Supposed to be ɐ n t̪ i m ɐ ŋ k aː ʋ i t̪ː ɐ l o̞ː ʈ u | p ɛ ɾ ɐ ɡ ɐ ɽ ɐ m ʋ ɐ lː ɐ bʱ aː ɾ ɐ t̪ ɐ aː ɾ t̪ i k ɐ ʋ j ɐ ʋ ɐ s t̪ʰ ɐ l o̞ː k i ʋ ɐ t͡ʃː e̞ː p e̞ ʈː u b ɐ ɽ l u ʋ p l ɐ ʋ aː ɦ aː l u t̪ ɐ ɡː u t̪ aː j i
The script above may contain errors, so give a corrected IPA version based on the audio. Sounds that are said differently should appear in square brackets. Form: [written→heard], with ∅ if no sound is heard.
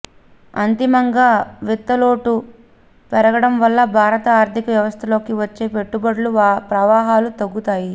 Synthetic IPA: ɐ n t̪ i m ɐ ŋ [k→ɡ] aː ʋ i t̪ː ɐ l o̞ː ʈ u | p ɛ ɾ ɐ ɡ ɐ ɽ ɐ m ʋ ɐ lː ɐ bʱ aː ɾ ɐ t̪ ɐ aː ɾ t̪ i k ɐ ʋ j ɐ ʋ ɐ s t̪ʰ ɐ l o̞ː k i ʋ ɐ t͡ʃː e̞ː p e̞ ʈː u b ɐ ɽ l u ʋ p [l→ɾ] ɐ ʋ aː ɦ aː l u t̪ ɐ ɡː u t̪ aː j i